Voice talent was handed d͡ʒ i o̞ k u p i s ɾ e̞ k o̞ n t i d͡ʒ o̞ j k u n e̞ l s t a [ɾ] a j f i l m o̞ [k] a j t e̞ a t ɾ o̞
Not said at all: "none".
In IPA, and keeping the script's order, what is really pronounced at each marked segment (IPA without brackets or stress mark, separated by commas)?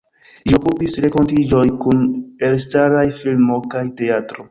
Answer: ɾ, k